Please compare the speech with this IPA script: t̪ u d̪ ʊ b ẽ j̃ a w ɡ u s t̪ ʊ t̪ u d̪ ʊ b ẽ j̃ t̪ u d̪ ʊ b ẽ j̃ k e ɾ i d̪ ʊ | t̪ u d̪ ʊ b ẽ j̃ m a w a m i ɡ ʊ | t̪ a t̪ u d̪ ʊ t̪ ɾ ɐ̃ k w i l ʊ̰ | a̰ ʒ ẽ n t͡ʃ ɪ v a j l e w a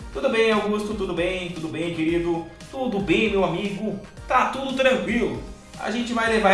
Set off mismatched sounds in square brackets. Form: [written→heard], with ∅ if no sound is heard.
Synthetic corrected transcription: t̪ u d̪ ʊ b ẽ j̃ a w ɡ u s t̪ ʊ t̪ u d̪ ʊ b ẽ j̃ t̪ u d̪ ʊ b ẽ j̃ k e ɾ i d̪ ʊ | t̪ u d̪ ʊ b ẽ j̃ m [a→e] w a m i ɡ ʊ | t̪ a t̪ u d̪ ʊ t̪ ɾ ɐ̃ k w i l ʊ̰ | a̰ ʒ ẽ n t͡ʃ ɪ v a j l e [w→v] a